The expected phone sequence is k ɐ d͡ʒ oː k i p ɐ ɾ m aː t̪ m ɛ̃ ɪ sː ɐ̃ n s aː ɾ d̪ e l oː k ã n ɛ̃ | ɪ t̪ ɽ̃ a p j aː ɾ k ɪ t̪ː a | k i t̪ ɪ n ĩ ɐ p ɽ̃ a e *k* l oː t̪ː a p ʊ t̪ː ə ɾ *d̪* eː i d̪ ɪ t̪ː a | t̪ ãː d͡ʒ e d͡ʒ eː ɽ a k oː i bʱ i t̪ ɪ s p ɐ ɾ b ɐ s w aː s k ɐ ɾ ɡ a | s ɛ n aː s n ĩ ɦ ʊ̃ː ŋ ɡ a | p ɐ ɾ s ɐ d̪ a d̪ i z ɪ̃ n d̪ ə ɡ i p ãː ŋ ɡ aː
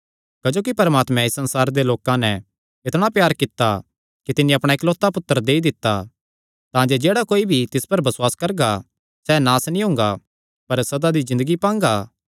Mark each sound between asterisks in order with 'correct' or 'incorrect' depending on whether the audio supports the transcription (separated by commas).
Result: correct, correct